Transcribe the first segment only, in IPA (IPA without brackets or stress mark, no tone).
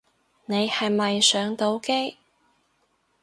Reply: n